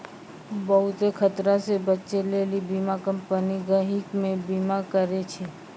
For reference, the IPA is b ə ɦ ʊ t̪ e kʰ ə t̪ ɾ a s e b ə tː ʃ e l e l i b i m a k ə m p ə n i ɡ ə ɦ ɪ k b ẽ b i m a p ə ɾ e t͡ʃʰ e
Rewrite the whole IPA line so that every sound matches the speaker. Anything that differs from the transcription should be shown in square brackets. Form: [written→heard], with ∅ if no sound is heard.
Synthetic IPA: b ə ɦ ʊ t̪ e kʰ ə t̪ ɾ a s e b ə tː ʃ e l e l i b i m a k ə m p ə n i ɡ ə ɦ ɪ k [b→m] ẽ b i m a [p→k] ə ɾ e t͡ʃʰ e